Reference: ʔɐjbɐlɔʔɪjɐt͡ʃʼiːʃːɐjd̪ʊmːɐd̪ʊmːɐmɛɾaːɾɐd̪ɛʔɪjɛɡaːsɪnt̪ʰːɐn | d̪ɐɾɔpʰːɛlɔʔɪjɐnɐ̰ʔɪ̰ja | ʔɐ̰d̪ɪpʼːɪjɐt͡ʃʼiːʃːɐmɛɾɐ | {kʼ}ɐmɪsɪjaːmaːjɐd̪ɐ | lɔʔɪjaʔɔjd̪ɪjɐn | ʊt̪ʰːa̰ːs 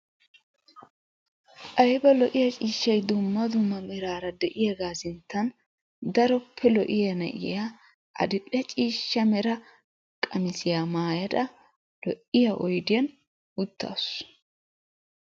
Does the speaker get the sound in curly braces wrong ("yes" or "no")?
no